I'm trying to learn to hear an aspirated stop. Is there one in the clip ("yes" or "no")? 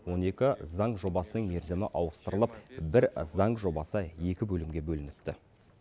no